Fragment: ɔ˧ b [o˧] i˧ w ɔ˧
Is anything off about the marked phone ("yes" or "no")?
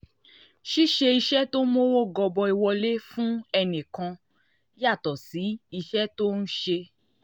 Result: yes